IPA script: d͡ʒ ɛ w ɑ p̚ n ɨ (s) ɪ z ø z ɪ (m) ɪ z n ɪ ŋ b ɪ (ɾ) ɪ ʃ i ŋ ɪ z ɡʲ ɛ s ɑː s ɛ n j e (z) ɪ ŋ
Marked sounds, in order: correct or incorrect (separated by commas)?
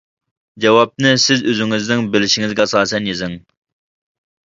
correct, incorrect, incorrect, correct